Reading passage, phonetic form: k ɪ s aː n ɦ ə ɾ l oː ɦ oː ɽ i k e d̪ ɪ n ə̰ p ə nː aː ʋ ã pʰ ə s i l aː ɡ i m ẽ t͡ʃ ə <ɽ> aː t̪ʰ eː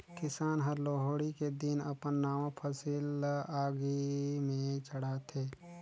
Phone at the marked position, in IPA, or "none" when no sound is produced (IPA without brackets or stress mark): ɽ